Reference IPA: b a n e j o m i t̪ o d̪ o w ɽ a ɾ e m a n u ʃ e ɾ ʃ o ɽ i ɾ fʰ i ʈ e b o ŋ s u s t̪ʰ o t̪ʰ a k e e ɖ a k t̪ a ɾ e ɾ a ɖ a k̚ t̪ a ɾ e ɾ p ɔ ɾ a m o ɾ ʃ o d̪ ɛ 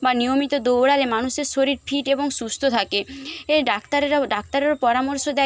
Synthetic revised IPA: b a n i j o m i t̪ o d̪ o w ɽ a ɾ e m a n u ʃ e ɾ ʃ o ɾ i ɾ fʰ i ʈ e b o ŋ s u s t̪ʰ o t̪ʰ a k e e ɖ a k t̪ a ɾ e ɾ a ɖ a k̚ t̪ a ɾ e ɾ p ɔ ɾ a m o ɾ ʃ o d̪ ɛ